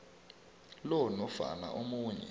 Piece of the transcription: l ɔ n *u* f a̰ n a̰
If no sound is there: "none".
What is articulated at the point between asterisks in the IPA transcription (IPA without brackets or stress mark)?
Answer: ɔ